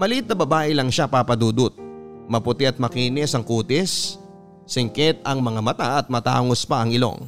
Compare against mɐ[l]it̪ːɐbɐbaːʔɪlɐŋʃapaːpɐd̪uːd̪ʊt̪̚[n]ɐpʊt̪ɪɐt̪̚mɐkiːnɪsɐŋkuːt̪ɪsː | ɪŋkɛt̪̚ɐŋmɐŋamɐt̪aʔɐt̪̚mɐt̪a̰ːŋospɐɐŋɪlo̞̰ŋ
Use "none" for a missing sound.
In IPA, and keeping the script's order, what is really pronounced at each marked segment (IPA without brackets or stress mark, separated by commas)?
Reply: l, m